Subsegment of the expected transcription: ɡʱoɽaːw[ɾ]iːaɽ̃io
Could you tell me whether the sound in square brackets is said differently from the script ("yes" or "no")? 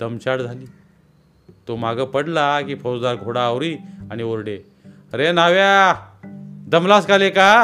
no